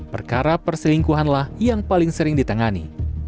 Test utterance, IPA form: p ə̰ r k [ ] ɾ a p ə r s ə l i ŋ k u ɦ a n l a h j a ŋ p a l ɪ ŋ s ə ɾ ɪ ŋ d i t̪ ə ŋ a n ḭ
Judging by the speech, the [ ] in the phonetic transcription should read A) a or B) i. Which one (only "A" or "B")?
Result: A